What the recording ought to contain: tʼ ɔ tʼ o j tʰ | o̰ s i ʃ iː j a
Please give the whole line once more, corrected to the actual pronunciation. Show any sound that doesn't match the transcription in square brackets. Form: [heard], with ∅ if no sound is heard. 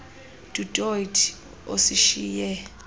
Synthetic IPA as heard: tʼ [u] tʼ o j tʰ | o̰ s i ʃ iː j [ɛ]